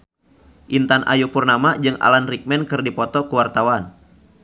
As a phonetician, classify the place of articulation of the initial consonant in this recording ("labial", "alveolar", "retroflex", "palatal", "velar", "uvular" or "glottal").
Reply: glottal